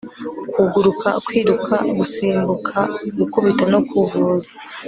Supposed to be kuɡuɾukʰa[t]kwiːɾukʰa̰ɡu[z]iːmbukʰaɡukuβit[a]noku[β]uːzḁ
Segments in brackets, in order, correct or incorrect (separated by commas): incorrect, incorrect, correct, incorrect